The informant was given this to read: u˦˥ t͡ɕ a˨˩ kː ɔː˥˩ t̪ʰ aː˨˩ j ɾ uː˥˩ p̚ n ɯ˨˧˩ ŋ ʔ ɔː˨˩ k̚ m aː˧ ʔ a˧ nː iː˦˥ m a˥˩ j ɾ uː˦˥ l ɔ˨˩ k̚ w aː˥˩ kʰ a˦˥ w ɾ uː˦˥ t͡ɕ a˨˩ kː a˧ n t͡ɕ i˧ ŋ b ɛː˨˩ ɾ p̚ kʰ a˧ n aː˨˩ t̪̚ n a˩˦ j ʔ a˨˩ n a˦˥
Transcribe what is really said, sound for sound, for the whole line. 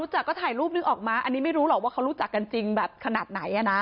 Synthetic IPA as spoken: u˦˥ t͡ɕ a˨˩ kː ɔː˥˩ t̪ʰ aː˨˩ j ɾ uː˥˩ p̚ n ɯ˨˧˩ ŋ ʔ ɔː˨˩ k̚ m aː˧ ʔ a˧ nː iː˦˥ m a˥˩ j ɾ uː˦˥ l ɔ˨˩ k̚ w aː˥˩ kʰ a˦˥ w ɾ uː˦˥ t͡ɕ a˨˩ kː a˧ n t͡ɕ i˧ ŋ b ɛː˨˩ p̚ kʰ a˧ n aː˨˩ t̪̚ n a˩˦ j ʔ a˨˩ n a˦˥